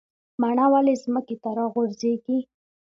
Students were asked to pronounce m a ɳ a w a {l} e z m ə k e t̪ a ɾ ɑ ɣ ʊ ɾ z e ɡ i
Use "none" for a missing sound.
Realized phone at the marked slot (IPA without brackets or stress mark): l